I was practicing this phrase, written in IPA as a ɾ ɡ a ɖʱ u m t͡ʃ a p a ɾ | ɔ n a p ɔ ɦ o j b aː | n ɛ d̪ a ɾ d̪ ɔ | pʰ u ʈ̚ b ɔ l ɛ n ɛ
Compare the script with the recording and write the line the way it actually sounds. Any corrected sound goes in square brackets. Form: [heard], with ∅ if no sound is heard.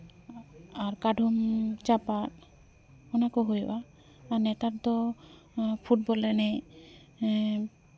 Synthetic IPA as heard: a ɾ [k] a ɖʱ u m t͡ʃ a p a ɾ | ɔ n a [k] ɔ ɦ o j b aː | n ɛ [t̪] a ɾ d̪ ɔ | pʰ u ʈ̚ b ɔ l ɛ n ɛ